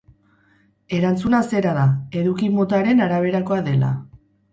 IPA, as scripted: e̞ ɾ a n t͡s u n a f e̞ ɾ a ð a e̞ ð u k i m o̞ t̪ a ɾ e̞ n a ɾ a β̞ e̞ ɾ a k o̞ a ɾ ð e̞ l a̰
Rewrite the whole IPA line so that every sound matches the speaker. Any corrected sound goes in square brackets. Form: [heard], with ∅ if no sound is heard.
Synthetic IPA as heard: e̞ ɾ a n t͡s u n a [s] e̞ ɾ a ð a e̞ ð u k i m o̞ t̪ a ɾ e̞ n a ɾ a β̞ e̞ ɾ a k o̞ a [∅] ð e̞ l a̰

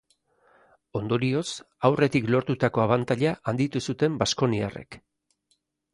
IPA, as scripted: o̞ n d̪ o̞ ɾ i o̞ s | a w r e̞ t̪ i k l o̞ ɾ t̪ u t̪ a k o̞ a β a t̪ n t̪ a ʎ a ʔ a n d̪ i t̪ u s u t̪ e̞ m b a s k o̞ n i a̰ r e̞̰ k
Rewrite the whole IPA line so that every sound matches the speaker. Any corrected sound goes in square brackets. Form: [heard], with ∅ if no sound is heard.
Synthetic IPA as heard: o̞ n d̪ o̞ ɾ i o̞ s | a w r e̞ t̪ i k l o̞ ɾ t̪ u t̪ a k o̞ a β a [∅] n t̪ a ʎ a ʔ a n d̪ i t̪ u s u t̪ e̞ m b a s k o̞ n i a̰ r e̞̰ k

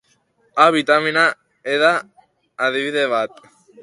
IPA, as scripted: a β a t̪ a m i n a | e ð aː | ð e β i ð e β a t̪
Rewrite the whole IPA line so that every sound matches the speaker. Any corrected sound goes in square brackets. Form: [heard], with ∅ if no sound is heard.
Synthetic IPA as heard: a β [i] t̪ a m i n a | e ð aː | ð [i] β i ð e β a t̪

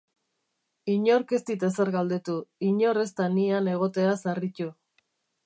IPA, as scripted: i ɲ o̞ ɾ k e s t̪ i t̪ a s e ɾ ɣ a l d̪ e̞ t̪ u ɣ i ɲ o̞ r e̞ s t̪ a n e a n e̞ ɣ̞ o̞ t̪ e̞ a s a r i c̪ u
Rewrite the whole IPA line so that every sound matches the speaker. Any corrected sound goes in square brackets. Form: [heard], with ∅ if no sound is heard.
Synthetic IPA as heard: i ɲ o̞ ɾ k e s t̪ i t̪ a s e ɾ ɣ a l d̪ e̞ t̪ u [∅] i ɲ o̞ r e̞ s t̪ a n [i] a n e̞ ɣ̞ o̞ t̪ e̞ a s a r i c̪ u

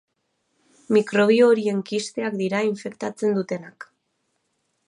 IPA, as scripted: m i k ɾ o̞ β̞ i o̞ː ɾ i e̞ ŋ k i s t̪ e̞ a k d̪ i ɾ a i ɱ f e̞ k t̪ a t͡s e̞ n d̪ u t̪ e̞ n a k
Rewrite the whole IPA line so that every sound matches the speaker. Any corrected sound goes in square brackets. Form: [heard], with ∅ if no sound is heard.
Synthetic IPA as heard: m i k ɾ o̞ β̞ i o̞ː ɾ i e̞ ŋ k i s t̪ e̞ a k d̪ i ɾ a i ɱ f e̞ k t̪ a t͡s e̞ n d̪ u t̪ e̞ n a k

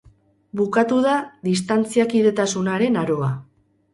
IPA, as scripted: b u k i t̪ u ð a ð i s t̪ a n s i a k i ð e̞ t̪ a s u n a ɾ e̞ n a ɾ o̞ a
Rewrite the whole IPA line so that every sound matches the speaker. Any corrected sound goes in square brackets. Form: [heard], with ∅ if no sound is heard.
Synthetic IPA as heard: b u k [a] t̪ u ð a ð i s t̪ a n [t͡s] i a k i ð e̞ t̪ a s u n a ɾ e̞ n a ɾ o̞ a

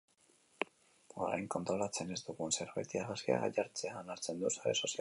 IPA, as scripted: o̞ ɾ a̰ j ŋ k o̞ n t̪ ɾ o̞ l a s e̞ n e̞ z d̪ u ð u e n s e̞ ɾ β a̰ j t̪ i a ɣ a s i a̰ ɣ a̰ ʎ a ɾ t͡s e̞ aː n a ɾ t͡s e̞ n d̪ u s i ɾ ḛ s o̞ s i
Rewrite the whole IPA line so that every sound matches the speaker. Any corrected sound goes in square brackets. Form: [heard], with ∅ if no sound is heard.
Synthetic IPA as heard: o̞ ɾ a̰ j ŋ k o̞ n t̪ ɾ o̞ l a [t͡s] e̞ n e̞ z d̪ u [ɣ] u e n s e̞ ɾ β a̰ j t̪ i a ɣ a s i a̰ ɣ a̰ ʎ a ɾ t͡s e̞ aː n a ɾ t͡s e̞ n d̪ u s [a] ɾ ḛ s o̞ s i

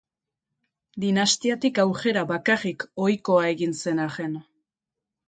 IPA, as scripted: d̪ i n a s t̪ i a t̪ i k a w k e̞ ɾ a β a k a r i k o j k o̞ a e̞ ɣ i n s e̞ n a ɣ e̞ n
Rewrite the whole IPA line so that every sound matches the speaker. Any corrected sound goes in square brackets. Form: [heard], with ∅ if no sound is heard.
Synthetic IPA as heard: d̪ i n a s t̪ i a t̪ i k a w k e̞ ɾ a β a k a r i k o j k o̞ a e̞ ɣ i n s e̞ n a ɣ e̞ n

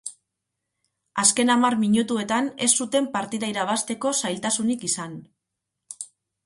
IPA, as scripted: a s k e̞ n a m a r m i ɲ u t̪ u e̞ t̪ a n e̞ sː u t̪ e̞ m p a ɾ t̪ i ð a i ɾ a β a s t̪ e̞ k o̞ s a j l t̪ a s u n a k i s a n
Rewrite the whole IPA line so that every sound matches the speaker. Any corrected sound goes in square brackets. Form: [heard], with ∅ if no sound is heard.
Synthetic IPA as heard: a s k e̞ n a m a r m i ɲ u t̪ u e̞ t̪ a n e̞ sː u t̪ e̞ m p a ɾ t̪ i ð a i ɾ a β a s t̪ e̞ k o̞ s a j l t̪ a s u n [i] k i s a n

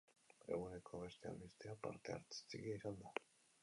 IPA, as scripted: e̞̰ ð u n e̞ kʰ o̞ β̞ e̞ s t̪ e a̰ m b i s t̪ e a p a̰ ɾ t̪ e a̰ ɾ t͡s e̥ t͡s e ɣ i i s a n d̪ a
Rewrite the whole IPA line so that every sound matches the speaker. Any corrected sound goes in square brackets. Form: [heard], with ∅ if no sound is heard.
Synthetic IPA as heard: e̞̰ [ɣ] u n e̞ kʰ o̞ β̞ e̞ s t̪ e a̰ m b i s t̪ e a p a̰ ɾ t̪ e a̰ ɾ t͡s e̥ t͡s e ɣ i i s a n d̪ a

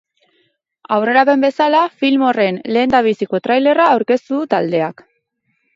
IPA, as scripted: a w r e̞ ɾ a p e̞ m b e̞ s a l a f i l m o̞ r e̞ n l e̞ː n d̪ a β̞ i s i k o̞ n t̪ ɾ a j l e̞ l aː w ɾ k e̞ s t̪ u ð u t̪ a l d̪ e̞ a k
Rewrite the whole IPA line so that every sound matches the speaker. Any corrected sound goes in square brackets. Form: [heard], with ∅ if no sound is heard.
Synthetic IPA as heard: a w r e̞ ɾ a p e̞ m b e̞ s a l a f i l m o̞ r e̞ n l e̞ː n d̪ a β̞ i s i k o̞ [∅] t̪ ɾ a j l e̞ [r] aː w ɾ k e̞ s t̪ u ð u t̪ a l d̪ e̞ a k

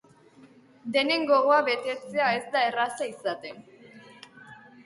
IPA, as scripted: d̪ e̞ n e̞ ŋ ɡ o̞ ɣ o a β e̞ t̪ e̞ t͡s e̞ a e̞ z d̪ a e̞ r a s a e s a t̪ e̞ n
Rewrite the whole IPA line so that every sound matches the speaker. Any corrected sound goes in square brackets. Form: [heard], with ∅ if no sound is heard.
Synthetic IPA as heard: d̪ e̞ n e̞ ŋ ɡ o̞ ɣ o a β e̞ t̪ e̞ t͡s e̞ a e̞ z d̪ a e̞ r a s a [i] s a t̪ e̞ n

